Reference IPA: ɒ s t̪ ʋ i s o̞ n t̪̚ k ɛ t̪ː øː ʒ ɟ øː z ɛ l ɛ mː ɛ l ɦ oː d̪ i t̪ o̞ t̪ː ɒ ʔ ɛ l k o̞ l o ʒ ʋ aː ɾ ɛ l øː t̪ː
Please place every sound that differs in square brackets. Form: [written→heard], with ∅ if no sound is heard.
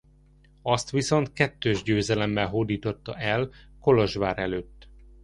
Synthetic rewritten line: ɒ s t̪ ʋ i s o̞ n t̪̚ k ɛ t̪ː øː ʒ ɟ øː z ɛ l ɛ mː ɛ l ɦ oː d̪ [i→iː] t̪ o̞ t̪ː ɒ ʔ ɛ l k o̞ l o ʒ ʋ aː ɾ ɛ l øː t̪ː